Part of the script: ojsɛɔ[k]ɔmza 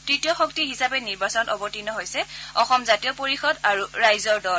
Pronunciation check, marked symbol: incorrect: x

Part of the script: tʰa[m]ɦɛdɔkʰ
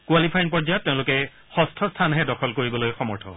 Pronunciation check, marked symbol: incorrect: n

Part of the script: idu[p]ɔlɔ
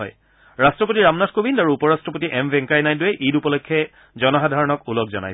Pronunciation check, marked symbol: correct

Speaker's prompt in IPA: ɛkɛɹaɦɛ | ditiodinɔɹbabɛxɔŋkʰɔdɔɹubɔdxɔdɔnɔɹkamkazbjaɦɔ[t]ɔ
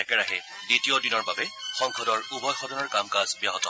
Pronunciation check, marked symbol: correct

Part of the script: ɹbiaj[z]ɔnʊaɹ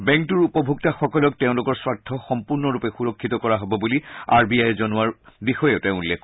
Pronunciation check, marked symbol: correct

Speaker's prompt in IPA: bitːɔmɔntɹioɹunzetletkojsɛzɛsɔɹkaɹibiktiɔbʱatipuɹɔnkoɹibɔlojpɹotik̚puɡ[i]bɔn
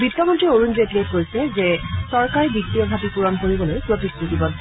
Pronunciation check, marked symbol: correct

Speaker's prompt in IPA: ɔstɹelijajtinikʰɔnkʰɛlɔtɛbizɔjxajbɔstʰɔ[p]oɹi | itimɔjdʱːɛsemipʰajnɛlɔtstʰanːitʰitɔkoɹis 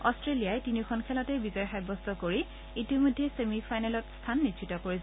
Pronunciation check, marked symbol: incorrect: k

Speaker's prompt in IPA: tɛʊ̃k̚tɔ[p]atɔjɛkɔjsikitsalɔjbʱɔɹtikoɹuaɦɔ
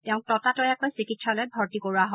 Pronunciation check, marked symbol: incorrect: t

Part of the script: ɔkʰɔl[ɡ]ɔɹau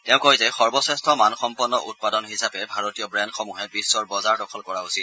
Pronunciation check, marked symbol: incorrect: k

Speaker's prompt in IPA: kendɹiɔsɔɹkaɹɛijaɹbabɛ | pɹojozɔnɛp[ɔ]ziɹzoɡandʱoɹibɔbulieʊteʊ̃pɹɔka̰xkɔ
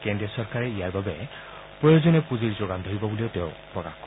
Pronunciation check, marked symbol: incorrect: u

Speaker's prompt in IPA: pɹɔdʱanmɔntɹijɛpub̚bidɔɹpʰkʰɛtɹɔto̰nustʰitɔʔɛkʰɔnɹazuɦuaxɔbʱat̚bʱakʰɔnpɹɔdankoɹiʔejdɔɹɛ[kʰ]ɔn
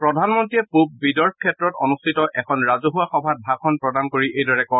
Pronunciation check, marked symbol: incorrect: k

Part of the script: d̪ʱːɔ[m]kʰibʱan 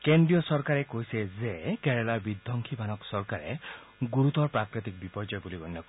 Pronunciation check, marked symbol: incorrect: ŋ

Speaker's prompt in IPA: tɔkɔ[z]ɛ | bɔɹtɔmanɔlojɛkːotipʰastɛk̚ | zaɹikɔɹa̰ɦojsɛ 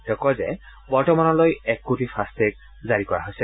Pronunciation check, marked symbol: correct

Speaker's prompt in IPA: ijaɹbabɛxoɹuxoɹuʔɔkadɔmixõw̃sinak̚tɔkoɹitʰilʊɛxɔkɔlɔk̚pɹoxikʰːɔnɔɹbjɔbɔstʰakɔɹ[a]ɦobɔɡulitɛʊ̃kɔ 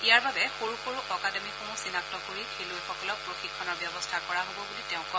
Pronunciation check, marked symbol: correct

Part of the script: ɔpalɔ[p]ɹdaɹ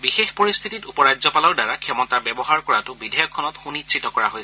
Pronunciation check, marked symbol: incorrect: none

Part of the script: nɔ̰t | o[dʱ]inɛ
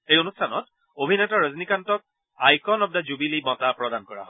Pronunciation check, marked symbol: incorrect: bʱ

